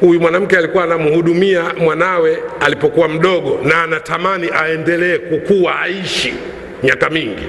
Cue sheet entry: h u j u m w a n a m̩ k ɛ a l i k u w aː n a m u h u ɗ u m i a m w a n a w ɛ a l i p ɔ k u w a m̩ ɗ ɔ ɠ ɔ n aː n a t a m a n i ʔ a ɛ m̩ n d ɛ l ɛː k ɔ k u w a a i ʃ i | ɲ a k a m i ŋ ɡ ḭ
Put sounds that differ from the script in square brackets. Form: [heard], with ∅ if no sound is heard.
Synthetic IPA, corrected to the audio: h u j u m w a n a m̩ k ɛ a l i k u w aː n a m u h u ɗ u m i a m w a n a w ɛ a l i p ɔ k u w a m̩ ɗ ɔ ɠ ɔ n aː n a t a m a n i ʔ a ɛ [∅] n d ɛ l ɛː k [u] k u w a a i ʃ i | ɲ a k a m i ŋ ɡ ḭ